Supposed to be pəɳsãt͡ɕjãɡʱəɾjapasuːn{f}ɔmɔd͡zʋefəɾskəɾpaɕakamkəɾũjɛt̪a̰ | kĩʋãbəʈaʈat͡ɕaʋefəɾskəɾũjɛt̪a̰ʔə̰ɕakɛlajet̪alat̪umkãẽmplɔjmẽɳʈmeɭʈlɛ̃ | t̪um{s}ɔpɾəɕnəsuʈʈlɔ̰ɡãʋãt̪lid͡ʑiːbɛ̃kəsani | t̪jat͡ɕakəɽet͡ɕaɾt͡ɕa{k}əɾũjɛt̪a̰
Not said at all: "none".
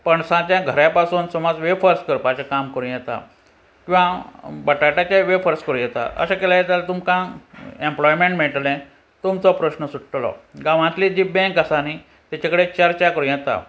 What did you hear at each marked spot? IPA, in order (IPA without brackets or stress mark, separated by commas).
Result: s, t͡s, k